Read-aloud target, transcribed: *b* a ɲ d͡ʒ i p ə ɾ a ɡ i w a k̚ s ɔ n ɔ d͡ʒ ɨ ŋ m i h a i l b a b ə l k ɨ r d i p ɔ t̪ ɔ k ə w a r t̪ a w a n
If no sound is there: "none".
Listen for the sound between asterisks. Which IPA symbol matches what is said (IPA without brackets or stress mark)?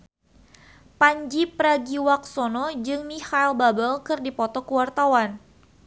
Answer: p